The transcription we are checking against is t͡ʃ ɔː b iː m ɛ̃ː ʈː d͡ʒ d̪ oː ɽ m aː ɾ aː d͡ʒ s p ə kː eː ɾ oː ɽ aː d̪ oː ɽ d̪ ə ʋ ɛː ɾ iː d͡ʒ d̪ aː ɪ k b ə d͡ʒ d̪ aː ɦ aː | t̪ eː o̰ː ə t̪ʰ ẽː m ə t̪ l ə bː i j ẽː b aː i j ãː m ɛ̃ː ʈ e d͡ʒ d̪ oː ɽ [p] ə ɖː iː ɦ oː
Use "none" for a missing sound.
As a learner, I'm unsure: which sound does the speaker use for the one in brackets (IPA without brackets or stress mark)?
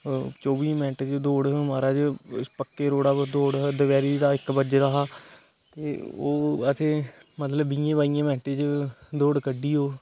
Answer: k